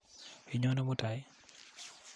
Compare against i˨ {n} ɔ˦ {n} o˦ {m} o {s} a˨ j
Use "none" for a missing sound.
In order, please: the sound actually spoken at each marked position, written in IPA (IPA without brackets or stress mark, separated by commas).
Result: ɲ, n, m, t